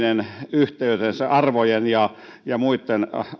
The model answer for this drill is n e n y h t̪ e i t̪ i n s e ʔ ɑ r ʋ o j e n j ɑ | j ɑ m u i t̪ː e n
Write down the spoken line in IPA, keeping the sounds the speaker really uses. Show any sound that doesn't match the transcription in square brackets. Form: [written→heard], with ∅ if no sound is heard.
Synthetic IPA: n e n y h t̪ e [i→y] t̪ [i→e] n s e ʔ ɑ r ʋ o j e n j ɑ | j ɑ m u i t̪ː e n